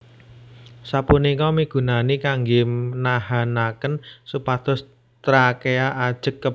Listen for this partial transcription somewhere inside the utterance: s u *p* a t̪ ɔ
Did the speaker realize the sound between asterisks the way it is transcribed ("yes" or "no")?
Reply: yes